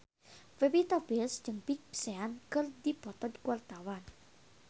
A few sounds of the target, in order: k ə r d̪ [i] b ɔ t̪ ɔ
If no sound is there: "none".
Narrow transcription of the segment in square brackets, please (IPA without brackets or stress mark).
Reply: i